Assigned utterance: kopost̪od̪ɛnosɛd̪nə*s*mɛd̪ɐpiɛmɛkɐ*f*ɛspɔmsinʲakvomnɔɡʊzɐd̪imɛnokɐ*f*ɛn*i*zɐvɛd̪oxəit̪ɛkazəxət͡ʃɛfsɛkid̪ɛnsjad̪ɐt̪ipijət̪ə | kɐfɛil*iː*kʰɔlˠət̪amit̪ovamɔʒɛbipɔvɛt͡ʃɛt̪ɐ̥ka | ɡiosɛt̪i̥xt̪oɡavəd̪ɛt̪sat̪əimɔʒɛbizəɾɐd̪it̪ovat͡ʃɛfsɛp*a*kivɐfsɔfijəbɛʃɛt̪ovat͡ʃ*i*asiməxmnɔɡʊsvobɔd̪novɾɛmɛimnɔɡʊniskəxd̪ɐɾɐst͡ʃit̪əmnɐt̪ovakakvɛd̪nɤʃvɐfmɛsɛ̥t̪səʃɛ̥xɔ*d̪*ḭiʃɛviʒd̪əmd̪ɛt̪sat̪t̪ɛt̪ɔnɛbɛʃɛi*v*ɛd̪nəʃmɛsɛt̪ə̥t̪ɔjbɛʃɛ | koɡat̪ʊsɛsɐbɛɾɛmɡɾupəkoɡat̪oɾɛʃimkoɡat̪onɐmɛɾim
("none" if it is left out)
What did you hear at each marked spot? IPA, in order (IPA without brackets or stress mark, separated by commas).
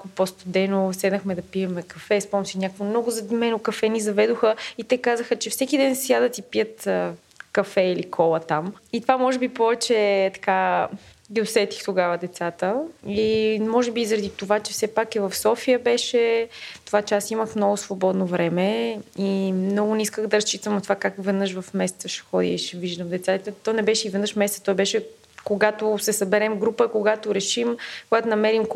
x, f, f, i, i, a, ɛ, d̪, v